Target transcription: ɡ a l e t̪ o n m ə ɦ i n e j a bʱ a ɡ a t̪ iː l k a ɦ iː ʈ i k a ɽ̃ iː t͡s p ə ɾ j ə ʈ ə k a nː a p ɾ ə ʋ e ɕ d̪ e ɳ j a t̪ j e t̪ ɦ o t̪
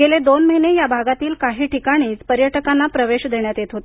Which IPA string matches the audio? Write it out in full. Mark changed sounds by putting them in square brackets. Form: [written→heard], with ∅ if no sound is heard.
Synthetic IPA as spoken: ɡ [a→e] l e [t̪→d̪] o n m ə ɦ i n e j a bʱ a ɡ a t̪ iː l k a ɦ iː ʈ i k a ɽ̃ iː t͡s p ə ɾ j ə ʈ ə k a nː a p ɾ ə ʋ e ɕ d̪ e ɳ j a t̪ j e t̪ ɦ o t̪